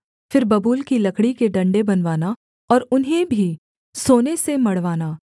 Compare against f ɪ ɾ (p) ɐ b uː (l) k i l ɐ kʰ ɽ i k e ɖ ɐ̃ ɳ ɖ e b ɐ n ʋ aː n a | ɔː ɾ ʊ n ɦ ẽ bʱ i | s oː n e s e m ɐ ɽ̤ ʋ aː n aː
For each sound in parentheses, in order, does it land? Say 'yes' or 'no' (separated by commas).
no, yes